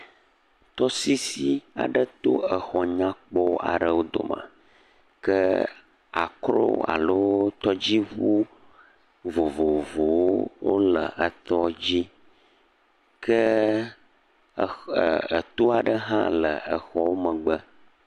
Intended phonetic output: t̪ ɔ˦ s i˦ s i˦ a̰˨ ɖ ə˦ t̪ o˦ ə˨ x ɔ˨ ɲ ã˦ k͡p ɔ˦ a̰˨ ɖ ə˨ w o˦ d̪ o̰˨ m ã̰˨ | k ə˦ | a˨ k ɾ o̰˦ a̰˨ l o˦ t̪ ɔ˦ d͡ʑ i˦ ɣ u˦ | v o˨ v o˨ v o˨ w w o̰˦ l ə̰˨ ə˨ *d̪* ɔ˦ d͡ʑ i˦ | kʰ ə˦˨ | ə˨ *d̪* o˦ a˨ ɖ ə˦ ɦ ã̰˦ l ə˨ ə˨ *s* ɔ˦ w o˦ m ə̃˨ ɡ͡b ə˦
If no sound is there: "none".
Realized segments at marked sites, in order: t̪, t̪, x

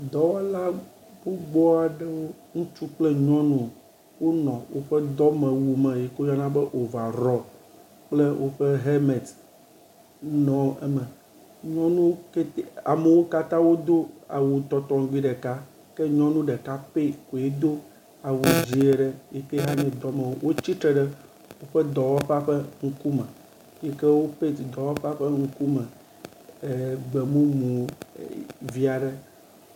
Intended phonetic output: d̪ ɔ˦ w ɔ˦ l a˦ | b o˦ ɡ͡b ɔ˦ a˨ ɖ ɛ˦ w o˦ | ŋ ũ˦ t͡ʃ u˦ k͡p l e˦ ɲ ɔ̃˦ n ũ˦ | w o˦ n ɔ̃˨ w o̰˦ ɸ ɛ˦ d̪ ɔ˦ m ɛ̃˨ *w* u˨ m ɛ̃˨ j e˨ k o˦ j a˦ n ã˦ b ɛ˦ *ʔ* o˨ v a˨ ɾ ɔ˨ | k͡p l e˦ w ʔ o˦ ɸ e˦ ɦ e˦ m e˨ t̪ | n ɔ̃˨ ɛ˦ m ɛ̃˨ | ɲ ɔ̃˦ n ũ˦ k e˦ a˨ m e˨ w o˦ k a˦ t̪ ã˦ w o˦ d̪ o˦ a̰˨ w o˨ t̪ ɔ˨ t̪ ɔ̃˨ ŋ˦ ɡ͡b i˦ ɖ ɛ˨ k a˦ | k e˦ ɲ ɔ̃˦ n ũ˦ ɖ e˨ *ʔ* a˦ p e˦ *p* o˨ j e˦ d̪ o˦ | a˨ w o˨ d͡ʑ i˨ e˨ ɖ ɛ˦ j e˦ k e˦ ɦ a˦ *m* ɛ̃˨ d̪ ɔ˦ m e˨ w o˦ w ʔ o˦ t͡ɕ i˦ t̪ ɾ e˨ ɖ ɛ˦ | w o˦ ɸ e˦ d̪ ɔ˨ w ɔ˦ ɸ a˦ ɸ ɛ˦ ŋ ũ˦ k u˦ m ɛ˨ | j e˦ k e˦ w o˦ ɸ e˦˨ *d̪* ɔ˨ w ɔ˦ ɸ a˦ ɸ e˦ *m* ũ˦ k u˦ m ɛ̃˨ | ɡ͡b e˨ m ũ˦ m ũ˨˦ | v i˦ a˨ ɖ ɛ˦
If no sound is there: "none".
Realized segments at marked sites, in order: w, ʔ, k, k, ɲ, d̪, ŋ

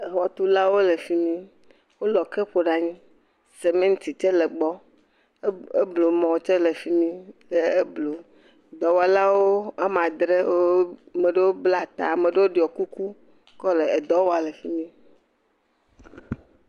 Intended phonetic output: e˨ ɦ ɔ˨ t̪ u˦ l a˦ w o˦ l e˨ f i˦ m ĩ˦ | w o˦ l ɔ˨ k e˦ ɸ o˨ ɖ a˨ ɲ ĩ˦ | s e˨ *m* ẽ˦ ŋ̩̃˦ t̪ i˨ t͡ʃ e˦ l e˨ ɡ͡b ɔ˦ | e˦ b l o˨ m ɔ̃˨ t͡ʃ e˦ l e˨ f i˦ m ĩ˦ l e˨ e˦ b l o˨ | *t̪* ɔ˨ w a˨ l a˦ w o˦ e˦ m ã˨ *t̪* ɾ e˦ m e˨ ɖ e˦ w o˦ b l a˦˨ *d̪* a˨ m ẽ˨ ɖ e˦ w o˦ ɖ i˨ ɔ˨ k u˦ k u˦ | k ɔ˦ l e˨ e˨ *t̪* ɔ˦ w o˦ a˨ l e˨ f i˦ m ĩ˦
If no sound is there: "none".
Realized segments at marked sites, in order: m, d̪, d̪, t̪, d̪

